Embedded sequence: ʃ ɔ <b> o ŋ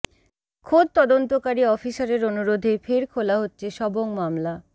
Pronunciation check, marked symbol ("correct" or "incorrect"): correct